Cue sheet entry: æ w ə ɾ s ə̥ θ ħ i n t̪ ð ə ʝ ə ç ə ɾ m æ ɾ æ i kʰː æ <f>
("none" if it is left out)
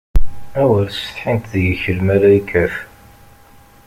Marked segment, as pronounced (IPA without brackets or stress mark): f